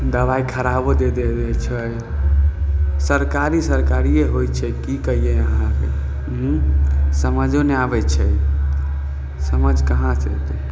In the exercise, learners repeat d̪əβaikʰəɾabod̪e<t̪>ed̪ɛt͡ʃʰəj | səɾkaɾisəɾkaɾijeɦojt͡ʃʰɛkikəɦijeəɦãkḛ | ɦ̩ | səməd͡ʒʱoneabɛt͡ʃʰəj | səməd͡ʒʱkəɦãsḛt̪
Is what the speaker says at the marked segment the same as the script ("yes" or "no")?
no